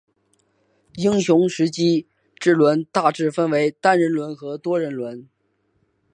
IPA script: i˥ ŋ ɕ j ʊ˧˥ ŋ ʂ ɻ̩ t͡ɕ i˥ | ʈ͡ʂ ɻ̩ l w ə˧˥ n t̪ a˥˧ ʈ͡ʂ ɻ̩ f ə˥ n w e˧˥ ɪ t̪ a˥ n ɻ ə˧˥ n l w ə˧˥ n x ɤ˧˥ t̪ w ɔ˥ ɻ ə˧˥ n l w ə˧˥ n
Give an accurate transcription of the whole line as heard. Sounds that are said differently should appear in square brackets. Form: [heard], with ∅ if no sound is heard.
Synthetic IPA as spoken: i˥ ŋ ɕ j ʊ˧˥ ŋ ʂ ɻ̩ t͡ɕ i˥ | ʈ͡ʂ ɻ̩ l w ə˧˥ n t̪ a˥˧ ʈ͡ʂ ɻ̩ f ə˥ n w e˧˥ ɪ t̪ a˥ n ɻ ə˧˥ n l w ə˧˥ n x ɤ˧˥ t̪ w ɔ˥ ɻ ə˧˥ n l w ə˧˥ n